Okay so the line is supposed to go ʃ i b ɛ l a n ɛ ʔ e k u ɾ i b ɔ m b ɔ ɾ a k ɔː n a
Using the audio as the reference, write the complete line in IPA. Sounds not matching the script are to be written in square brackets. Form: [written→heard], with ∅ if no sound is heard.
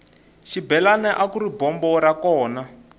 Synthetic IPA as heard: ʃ i b ɛ l a n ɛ ʔ [e→a] k u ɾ i b ɔ m b ɔ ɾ a k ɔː n a